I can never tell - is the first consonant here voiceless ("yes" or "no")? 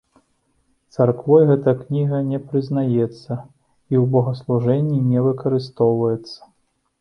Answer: yes